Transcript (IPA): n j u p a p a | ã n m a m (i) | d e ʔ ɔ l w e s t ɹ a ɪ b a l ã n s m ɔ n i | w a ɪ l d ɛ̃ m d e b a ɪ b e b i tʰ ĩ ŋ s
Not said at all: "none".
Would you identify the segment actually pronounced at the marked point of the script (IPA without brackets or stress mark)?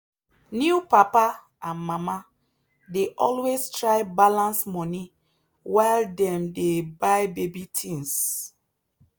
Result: a